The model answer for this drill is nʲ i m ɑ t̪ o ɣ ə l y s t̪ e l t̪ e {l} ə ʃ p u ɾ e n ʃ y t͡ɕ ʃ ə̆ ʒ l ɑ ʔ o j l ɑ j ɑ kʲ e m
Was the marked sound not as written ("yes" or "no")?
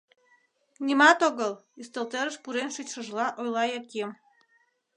yes